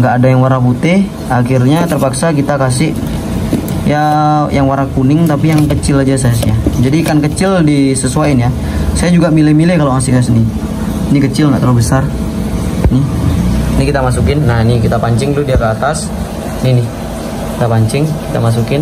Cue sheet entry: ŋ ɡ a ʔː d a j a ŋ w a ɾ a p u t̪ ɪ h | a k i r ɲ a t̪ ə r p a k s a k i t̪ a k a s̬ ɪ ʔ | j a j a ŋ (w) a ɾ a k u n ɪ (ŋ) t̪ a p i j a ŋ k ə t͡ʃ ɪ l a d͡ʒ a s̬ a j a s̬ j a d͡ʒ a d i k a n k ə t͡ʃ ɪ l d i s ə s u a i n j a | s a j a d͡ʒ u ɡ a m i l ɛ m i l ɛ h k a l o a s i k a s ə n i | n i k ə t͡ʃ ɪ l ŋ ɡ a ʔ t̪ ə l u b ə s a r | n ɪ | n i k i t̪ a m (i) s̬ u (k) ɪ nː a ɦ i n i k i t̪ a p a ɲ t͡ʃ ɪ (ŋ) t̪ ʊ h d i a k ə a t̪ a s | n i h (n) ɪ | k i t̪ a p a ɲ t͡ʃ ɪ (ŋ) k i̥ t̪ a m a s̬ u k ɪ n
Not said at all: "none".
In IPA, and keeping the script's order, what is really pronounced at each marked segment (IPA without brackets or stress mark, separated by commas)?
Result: w, ŋ, a, k, ŋ, n, ŋ